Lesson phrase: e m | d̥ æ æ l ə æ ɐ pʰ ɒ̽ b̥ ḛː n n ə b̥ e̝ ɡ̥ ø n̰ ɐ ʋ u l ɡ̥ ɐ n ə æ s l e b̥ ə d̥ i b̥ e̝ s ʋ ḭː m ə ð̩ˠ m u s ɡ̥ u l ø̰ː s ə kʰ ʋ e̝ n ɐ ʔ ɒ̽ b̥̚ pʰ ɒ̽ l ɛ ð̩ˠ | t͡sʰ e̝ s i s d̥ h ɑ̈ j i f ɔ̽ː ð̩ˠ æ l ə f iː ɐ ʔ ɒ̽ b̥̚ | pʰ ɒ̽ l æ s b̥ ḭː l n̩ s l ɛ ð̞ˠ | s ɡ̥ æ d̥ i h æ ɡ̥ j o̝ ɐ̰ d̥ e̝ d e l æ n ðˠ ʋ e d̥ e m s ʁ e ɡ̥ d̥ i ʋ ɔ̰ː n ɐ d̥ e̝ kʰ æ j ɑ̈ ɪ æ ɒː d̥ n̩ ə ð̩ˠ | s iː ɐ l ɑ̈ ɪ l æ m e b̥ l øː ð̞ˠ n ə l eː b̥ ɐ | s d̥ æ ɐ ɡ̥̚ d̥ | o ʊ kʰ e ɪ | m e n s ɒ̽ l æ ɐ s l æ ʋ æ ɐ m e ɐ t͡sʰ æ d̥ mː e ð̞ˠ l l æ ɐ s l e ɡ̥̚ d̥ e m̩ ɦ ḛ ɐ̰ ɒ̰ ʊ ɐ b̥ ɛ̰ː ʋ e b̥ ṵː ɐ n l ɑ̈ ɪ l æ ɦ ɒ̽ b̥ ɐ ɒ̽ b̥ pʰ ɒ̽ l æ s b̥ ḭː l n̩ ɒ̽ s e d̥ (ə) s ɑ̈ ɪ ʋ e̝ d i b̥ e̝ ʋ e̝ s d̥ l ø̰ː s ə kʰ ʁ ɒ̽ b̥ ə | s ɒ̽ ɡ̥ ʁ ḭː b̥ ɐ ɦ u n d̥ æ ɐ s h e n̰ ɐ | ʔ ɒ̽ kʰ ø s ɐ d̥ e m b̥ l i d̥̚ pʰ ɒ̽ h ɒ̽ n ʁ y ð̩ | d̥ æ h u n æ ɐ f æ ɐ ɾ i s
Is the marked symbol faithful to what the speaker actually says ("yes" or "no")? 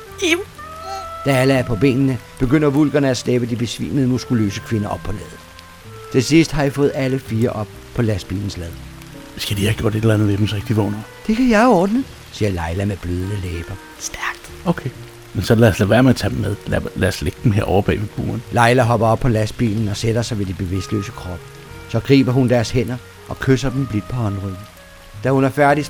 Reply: no